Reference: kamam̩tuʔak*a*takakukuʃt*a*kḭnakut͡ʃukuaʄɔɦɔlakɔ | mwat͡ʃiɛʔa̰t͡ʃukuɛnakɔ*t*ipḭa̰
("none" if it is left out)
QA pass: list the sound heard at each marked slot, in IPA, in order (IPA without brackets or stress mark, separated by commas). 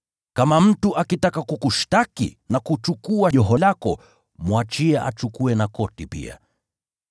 i, a, t